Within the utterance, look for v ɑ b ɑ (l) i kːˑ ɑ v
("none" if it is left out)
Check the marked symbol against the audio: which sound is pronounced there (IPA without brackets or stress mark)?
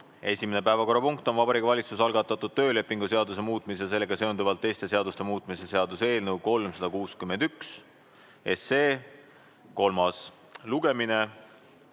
ɾ